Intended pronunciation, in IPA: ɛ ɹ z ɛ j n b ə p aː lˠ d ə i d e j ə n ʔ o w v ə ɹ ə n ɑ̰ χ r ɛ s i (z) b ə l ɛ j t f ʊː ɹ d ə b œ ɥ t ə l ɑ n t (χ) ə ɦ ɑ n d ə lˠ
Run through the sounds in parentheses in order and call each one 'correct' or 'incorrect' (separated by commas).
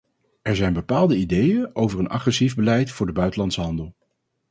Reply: incorrect, incorrect